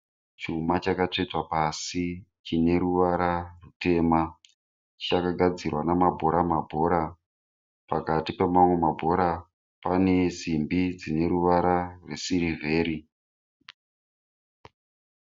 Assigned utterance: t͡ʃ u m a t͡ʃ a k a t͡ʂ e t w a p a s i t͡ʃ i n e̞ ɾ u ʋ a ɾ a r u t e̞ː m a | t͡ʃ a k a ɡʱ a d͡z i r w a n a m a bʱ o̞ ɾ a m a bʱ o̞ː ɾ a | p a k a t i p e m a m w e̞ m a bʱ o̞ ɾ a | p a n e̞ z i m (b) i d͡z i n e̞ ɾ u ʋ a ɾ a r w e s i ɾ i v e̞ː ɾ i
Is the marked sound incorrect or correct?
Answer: correct